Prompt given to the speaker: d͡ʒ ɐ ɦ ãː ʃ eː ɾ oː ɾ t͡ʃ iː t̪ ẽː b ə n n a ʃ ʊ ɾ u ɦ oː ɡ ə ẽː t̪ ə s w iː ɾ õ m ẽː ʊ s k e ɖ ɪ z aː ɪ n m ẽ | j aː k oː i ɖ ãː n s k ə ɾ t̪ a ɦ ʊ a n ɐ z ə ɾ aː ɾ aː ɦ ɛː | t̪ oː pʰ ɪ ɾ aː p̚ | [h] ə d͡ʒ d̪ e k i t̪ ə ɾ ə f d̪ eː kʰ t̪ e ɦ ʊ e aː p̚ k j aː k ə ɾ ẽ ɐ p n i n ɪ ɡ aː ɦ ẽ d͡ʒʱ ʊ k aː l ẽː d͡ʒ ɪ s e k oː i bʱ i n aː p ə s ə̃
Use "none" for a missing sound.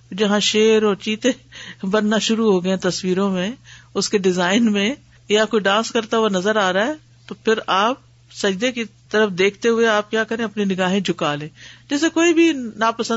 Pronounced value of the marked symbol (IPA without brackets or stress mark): s